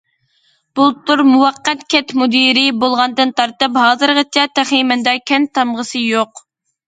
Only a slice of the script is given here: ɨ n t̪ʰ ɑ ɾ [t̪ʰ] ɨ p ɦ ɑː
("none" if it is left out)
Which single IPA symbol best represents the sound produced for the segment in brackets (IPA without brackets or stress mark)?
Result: t̪